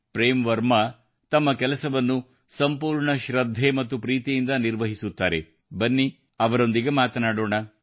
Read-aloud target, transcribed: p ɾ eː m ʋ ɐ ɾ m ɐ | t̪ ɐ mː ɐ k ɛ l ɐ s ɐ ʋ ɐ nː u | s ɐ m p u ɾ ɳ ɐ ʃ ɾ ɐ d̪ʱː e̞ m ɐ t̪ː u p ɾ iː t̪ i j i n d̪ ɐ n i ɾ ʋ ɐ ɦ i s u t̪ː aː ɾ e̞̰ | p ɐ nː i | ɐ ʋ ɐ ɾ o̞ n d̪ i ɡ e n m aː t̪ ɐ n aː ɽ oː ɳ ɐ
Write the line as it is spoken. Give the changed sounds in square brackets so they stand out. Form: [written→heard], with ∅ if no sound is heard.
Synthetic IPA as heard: p ɾ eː m ʋ ɐ ɾ m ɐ | t̪ ɐ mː ɐ k ɛ l ɐ s ɐ ʋ ɐ nː u | s ɐ m p [u→uː] ɾ ɳ ɐ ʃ ɾ ɐ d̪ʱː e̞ m ɐ t̪ː u p ɾ iː t̪ i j i n d̪ ɐ n i ɾ ʋ ɐ ɦ i s u t̪ː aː ɾ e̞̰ | [p→b] ɐ nː i | ɐ ʋ ɐ ɾ o̞ n d̪ i ɡ e [n→∅] m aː t̪ ɐ n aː ɽ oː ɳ ɐ